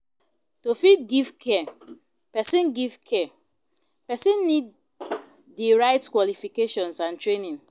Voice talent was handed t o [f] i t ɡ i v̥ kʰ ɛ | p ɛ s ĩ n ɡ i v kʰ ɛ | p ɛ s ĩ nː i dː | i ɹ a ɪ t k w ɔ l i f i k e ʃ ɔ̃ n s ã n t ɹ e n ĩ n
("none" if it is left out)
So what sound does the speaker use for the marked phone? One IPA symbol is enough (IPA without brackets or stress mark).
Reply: f